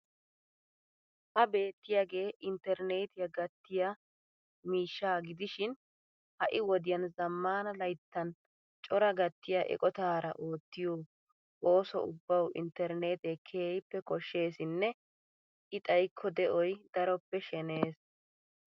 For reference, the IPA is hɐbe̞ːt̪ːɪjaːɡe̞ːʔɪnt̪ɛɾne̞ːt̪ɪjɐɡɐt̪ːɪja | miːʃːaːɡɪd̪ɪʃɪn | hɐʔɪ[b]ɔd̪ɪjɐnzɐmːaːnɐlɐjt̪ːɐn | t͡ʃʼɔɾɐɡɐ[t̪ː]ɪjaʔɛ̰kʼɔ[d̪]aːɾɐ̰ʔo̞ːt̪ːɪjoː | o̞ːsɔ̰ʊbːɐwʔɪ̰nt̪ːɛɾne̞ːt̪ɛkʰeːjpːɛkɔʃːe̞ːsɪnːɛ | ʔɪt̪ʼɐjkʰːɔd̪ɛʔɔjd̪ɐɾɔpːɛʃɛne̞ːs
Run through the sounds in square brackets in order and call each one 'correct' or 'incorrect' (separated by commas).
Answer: incorrect, correct, incorrect